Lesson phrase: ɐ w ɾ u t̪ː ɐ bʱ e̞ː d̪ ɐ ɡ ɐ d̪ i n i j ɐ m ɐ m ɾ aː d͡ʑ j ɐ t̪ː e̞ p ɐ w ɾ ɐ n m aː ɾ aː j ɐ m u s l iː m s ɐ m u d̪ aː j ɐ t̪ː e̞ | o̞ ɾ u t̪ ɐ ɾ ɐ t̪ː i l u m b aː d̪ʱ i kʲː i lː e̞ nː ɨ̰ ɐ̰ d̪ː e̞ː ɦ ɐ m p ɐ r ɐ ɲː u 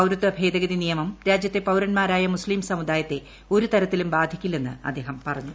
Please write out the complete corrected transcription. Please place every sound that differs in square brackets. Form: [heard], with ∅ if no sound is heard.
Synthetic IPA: ɐ w ɾ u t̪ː ɐ bʱ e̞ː d̪ ɐ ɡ ɐ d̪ i n i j ɐ m ɐ m ɾ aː d͡ʑ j ɐ t̪ː e̞ p ɐ w ɾ ɐ n m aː ɾ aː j ɐ m u s l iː m s ɐ m u d̪ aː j ɐ t̪ː e̞ | o̞ ɾ u t̪ ɐ ɾ ɐ t̪ː i l u m b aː d̪ʱ i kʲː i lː e̞ nː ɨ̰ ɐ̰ d̪ː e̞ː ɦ ɐ m p ɐ r ɐ ɲː u